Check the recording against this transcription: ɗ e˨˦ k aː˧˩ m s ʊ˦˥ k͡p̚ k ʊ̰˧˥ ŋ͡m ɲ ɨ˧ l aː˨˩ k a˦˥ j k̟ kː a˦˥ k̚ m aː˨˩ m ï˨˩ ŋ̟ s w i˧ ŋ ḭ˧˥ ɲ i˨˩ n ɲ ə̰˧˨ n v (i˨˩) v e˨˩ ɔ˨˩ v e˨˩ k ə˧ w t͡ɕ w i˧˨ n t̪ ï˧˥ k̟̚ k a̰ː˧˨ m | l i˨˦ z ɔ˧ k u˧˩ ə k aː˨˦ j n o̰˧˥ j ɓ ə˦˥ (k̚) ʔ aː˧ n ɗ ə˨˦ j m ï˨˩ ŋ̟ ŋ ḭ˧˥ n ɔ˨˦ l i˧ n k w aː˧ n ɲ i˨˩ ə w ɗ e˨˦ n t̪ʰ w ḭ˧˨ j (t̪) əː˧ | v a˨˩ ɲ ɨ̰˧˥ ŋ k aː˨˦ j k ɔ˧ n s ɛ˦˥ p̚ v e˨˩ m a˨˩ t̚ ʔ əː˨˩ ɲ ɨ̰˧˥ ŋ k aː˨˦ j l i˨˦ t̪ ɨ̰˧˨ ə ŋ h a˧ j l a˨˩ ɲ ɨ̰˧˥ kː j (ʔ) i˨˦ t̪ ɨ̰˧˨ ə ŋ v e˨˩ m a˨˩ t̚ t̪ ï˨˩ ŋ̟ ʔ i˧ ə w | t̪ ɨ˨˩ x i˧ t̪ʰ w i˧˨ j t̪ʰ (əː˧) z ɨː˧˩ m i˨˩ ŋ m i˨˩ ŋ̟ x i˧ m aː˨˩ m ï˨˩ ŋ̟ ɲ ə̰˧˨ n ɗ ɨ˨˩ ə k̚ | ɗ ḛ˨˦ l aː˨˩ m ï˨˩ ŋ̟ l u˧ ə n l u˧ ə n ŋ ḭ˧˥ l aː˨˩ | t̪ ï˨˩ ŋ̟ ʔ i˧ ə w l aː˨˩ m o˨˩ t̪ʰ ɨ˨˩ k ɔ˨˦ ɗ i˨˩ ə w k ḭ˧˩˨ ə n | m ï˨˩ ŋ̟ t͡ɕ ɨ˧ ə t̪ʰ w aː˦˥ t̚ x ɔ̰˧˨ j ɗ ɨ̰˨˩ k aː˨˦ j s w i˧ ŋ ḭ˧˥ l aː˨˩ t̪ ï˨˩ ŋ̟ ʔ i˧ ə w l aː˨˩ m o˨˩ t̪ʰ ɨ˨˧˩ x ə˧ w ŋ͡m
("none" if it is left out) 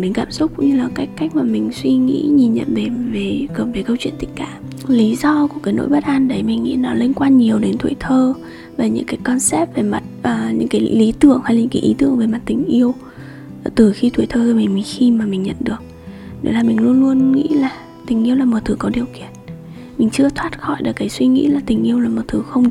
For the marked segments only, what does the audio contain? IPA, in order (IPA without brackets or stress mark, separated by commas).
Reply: e˨˩, t̚, t̪ʰ, ʔ, əː˧